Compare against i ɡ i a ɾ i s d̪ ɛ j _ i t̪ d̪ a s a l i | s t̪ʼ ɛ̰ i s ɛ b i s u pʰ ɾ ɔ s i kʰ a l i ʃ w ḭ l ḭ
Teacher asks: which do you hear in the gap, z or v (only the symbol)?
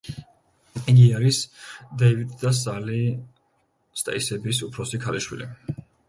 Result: v